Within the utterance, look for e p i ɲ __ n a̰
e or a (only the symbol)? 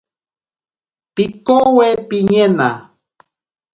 e